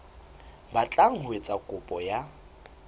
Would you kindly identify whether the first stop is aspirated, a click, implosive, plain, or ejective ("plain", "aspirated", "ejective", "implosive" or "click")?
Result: plain